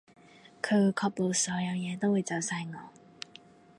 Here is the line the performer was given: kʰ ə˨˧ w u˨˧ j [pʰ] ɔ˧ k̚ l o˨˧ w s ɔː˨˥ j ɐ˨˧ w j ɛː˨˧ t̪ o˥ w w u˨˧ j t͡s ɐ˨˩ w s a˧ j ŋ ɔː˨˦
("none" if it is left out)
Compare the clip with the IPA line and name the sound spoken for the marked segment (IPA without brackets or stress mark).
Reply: kʰ